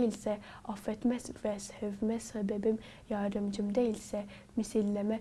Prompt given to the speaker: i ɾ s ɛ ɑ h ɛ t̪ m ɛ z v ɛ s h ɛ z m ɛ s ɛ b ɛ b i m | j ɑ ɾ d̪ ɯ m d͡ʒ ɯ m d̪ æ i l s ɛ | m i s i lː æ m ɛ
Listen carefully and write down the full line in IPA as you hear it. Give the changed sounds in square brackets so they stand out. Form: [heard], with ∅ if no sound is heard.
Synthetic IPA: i [l] s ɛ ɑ [f] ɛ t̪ m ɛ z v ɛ s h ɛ [v] m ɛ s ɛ b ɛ b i m | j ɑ ɾ d̪ ɯ m d͡ʒ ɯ m d̪ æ i l s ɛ | m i s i lː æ m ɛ